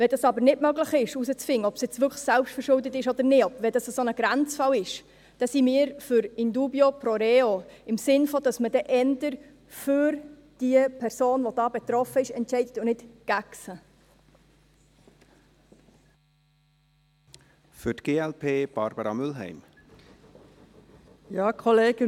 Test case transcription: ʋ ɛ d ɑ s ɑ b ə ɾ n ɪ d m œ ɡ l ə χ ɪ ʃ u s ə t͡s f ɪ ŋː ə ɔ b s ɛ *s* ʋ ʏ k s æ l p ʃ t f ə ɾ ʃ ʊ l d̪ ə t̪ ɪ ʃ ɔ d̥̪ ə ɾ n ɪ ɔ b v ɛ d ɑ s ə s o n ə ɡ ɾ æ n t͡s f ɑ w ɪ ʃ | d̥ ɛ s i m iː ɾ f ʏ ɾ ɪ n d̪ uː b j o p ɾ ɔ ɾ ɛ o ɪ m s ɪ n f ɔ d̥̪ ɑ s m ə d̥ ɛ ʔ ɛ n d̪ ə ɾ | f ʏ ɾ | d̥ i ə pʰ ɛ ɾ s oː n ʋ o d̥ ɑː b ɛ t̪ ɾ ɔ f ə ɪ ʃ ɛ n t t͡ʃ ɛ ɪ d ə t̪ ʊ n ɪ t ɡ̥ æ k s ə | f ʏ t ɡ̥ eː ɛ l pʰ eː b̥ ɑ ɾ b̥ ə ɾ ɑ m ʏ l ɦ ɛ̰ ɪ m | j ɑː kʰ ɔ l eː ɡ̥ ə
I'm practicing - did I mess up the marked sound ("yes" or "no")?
yes